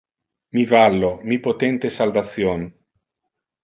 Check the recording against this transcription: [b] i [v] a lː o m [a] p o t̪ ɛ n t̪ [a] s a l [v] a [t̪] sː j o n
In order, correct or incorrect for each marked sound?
incorrect: m, correct, incorrect: i, incorrect: e, correct, correct

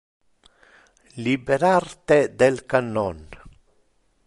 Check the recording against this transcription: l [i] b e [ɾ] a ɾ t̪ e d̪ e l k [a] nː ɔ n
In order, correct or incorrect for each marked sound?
correct, correct, correct

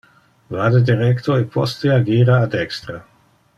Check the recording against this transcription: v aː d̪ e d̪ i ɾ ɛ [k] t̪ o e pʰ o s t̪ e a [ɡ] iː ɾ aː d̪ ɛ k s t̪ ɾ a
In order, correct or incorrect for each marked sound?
correct, correct

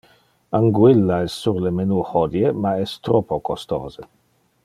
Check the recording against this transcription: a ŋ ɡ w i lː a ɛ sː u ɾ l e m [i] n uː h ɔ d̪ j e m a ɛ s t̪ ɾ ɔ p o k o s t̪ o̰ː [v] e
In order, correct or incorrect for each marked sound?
incorrect: e, incorrect: z

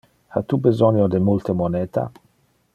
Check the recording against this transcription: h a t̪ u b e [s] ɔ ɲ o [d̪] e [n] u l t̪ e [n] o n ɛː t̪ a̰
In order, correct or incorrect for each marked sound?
incorrect: z, correct, incorrect: m, incorrect: m

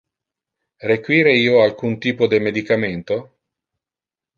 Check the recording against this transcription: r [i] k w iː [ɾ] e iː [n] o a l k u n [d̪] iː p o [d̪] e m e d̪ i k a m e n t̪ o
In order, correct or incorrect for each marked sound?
incorrect: e, correct, incorrect: none, incorrect: t̪, correct

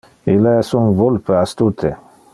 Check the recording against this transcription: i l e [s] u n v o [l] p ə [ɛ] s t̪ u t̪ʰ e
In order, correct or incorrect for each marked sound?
correct, correct, incorrect: a

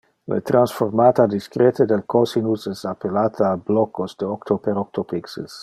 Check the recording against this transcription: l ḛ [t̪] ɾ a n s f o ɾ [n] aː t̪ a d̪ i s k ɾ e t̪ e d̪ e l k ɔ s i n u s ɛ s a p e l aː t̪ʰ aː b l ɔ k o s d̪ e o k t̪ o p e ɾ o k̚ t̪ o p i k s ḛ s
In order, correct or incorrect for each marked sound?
correct, incorrect: m

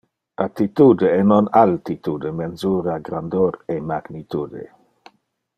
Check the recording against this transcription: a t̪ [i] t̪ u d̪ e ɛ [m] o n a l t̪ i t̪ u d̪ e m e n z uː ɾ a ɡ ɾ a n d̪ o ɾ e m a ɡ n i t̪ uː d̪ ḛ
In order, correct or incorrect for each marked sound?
correct, incorrect: n

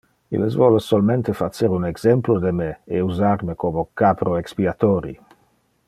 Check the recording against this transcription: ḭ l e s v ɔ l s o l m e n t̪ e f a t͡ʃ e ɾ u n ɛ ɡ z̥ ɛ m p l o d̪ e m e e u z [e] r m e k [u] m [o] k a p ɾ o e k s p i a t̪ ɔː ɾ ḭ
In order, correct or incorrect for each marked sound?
incorrect: a, incorrect: o, correct

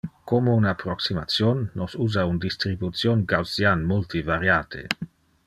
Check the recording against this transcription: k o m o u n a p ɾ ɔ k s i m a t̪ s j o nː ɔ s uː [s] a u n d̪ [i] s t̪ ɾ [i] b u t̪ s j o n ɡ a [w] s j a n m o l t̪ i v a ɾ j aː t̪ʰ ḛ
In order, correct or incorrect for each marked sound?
incorrect: z, correct, correct, correct

